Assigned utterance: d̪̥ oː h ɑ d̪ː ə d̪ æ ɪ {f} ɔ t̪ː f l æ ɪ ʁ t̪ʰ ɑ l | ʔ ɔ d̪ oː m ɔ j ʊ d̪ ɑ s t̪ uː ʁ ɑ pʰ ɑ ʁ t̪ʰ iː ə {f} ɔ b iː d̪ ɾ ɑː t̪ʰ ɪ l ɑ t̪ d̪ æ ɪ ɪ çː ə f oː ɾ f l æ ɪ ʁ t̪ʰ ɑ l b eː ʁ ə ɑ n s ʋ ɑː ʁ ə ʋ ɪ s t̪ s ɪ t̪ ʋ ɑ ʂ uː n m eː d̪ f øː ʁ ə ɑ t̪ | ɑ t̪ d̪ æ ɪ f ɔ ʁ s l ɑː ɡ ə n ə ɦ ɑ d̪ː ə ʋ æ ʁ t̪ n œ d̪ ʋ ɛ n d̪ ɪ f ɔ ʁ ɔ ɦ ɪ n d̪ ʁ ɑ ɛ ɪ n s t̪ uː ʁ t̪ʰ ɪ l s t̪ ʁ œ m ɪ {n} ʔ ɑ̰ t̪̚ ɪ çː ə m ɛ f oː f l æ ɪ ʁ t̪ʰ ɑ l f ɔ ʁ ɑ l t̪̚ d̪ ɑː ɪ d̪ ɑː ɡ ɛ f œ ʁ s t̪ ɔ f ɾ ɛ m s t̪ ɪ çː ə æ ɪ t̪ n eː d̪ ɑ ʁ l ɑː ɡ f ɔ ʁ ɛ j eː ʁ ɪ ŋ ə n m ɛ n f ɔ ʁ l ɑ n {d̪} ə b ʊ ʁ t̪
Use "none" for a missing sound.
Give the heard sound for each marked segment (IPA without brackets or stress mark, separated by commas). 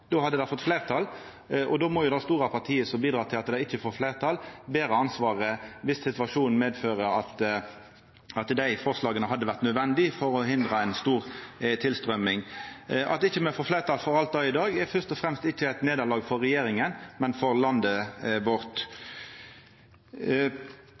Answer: f, s, ŋ, d̪